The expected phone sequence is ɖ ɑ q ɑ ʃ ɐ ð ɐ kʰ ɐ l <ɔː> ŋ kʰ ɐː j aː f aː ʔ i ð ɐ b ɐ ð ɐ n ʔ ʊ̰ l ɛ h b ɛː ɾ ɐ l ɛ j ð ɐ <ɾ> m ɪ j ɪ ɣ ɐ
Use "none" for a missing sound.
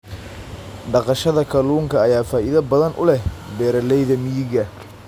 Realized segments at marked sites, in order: uː, none

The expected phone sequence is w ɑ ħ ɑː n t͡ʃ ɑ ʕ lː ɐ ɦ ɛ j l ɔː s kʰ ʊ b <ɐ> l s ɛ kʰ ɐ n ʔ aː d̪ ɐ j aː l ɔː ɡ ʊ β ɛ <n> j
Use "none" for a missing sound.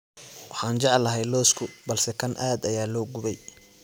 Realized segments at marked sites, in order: ɐ, none

